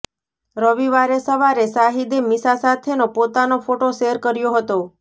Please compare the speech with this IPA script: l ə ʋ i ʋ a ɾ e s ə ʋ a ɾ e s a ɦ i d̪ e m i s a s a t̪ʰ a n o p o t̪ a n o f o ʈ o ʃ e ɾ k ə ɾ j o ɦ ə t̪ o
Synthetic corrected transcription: ɾ ə ʋ i ʋ a ɾ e s ə ʋ a ɾ e s a ɦ i d̪ e m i s a s a t̪ʰ e n o p o t̪ a n o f o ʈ o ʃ e ɾ k ə ɾ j o ɦ ə t̪ o